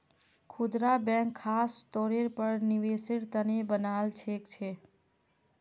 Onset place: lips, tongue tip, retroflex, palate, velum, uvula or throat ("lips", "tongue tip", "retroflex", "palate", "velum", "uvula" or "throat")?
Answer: velum